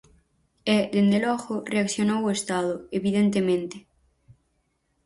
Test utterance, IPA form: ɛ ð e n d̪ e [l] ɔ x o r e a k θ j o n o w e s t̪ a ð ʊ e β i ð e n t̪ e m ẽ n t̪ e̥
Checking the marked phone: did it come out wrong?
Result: no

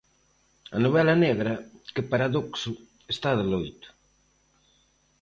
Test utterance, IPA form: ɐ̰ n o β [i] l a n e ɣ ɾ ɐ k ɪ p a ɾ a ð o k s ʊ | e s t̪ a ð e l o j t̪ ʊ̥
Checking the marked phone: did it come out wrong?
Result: yes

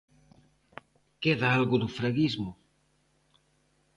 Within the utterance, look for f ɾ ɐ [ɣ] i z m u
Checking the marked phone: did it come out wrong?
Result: no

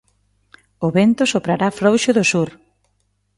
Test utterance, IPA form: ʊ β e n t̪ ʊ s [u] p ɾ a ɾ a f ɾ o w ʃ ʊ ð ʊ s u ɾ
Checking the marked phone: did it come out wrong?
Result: yes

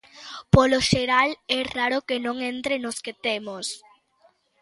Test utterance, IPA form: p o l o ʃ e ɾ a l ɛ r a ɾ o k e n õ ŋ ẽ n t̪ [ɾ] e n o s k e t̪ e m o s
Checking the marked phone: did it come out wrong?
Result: no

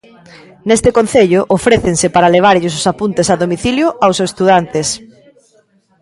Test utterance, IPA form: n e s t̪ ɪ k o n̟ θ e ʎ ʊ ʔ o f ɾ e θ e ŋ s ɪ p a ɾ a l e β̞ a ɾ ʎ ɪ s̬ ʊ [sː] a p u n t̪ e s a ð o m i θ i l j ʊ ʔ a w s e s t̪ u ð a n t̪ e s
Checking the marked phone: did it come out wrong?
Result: yes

